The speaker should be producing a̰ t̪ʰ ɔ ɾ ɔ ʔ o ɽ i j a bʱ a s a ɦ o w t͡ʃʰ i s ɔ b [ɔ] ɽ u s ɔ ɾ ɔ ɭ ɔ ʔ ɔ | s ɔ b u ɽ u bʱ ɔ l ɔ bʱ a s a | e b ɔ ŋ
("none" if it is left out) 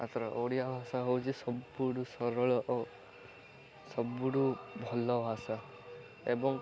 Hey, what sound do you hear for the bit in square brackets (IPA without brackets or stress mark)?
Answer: u